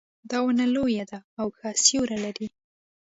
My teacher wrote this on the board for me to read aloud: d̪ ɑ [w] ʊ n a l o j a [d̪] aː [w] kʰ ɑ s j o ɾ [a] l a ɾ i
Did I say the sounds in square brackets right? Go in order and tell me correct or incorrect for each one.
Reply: correct, correct, correct, correct

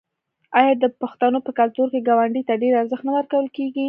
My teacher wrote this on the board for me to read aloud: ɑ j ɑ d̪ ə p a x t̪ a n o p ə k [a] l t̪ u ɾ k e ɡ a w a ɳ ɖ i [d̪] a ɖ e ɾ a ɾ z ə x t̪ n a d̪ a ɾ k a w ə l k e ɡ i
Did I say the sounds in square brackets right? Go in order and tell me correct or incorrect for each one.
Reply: correct, incorrect

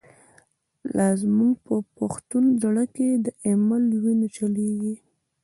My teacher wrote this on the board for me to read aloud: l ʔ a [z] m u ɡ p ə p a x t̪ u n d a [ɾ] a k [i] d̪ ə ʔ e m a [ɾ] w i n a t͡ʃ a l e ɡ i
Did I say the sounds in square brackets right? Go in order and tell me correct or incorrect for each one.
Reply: correct, incorrect, incorrect, incorrect

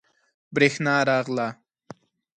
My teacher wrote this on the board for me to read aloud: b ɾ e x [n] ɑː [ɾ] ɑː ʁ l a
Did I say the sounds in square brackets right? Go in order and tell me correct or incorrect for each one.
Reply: correct, correct

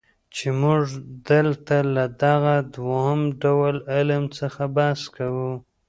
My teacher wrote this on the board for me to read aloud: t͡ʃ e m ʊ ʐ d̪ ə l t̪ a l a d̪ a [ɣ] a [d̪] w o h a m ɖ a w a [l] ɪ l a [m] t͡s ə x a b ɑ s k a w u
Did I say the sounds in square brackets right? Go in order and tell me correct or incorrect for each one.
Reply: correct, correct, correct, correct

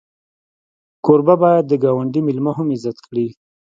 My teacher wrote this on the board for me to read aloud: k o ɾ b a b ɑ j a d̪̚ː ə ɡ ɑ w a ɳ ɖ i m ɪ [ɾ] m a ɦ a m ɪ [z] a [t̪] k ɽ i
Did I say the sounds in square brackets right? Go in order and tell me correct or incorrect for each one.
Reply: incorrect, correct, correct

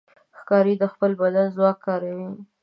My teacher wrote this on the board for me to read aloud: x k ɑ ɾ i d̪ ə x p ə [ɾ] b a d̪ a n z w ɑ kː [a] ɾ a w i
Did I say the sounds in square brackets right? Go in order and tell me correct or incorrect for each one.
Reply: incorrect, incorrect

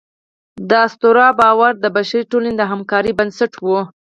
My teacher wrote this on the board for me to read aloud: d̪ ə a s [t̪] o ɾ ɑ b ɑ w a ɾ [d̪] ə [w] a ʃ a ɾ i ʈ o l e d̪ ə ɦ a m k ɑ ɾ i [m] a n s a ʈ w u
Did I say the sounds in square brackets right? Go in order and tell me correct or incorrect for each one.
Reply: correct, correct, incorrect, incorrect

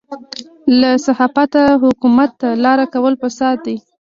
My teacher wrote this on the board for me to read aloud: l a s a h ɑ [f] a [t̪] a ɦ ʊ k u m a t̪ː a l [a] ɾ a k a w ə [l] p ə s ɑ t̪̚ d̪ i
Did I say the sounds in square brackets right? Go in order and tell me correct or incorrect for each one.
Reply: correct, correct, incorrect, correct

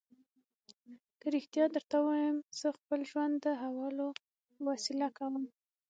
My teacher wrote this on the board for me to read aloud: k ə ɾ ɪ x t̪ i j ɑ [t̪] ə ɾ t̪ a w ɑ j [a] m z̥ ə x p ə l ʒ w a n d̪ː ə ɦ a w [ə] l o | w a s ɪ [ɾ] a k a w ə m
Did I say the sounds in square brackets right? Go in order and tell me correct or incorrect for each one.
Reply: incorrect, incorrect, incorrect, incorrect

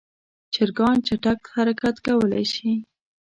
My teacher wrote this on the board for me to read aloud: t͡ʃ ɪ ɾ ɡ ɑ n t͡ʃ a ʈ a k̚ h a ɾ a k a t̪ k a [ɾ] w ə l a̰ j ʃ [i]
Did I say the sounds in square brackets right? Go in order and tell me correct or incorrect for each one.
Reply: incorrect, correct

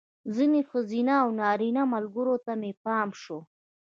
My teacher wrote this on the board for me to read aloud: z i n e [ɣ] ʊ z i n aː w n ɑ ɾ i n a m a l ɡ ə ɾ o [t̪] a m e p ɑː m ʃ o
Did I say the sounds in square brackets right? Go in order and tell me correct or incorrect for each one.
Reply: incorrect, correct

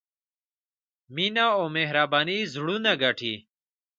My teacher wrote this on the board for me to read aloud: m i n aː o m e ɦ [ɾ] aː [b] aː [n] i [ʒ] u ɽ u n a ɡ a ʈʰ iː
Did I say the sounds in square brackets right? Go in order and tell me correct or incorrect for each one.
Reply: correct, correct, correct, incorrect

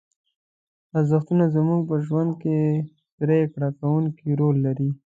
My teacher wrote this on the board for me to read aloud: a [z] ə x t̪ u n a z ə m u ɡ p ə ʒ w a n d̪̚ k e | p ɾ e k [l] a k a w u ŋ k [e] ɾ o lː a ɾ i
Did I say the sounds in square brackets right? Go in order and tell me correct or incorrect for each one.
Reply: correct, incorrect, incorrect

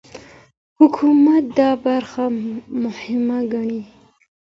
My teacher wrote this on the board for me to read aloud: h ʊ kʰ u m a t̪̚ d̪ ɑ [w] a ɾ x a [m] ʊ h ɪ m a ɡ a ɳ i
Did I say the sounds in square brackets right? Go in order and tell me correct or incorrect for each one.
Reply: incorrect, correct

